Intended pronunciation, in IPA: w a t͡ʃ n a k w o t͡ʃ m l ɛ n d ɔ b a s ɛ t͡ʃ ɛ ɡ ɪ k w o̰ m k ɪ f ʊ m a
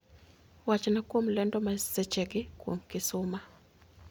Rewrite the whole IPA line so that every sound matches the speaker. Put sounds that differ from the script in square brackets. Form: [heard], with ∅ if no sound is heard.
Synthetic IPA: w a t͡ʃ n a k w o [∅] m l ɛ n d ɔ [m] a s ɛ t͡ʃ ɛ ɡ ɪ k w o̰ m k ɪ [s] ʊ m a